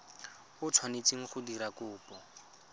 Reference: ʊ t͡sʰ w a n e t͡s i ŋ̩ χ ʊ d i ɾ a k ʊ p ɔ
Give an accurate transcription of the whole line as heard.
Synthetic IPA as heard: ʊ t͡sʰ w a n e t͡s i ŋ̩ χ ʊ d i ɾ a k ʊː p ɔ